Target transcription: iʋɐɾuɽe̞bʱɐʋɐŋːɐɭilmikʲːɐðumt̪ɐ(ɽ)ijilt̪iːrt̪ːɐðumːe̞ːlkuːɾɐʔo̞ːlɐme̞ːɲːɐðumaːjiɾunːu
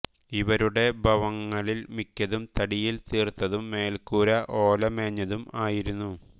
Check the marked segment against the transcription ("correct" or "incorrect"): correct